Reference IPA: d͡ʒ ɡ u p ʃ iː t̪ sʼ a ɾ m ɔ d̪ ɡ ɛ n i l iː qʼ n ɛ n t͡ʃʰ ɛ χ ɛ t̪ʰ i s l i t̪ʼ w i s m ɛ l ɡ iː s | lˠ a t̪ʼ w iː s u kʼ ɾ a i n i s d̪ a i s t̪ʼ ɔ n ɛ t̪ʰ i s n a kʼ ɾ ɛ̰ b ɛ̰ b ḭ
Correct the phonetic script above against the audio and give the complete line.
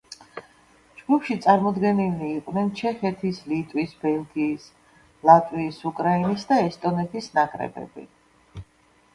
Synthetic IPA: d͡ʒ ɡ u p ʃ i t̪ sʼ a ɾ m ɔ d̪ ɡ ɛ n i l iː qʼ n ɛ n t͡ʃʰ ɛ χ ɛ t̪ʰ i s l i t̪ʼ w i s b ɛ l ɡ iː s | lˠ a t̪ʼ w iː s u kʼ ɾ a i n i s d̪ a ɛ s t̪ʼ ɔ n ɛ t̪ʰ i s n a kʼ ɾ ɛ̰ b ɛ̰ b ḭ